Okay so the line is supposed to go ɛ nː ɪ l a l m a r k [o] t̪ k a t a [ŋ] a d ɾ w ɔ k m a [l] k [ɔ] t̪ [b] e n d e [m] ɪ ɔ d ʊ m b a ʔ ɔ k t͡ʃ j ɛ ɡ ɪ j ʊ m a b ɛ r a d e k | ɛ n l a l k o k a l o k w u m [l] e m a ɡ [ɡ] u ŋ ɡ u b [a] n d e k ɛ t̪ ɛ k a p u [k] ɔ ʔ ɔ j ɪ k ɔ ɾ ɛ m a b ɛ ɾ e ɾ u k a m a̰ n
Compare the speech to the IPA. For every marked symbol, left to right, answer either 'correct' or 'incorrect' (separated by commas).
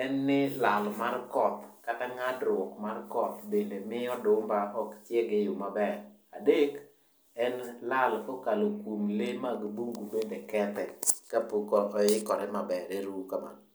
incorrect, correct, incorrect, correct, correct, correct, correct, incorrect, incorrect, correct